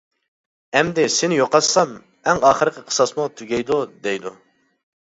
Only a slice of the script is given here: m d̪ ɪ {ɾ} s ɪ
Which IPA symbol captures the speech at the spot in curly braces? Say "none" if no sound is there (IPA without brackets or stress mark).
none